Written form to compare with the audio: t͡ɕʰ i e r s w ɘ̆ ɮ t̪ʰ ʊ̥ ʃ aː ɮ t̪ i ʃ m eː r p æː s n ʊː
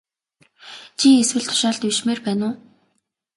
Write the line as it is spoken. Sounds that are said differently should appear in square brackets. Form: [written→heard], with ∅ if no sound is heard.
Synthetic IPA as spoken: t͡ɕʰ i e [r→∅] s w ɘ̆ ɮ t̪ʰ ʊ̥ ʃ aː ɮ t̪ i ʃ m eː r p æː [s→∅] n ʊː